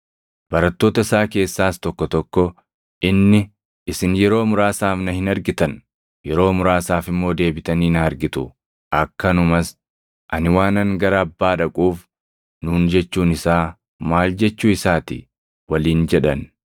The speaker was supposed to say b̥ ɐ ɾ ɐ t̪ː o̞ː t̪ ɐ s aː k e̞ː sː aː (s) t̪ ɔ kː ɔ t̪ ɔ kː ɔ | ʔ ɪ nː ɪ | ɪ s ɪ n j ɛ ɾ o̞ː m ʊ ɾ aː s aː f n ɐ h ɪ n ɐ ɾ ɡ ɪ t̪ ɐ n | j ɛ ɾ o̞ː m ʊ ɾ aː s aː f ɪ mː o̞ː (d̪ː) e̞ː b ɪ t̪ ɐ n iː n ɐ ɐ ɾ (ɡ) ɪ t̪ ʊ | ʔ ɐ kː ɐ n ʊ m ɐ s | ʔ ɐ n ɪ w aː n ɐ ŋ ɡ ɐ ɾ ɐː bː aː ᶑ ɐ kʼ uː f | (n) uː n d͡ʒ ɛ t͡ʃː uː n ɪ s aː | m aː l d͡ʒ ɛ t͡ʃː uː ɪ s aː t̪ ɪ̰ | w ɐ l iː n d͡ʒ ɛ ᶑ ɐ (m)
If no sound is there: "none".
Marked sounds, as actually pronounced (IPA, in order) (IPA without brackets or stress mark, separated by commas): s, d̪, ɡ, n, n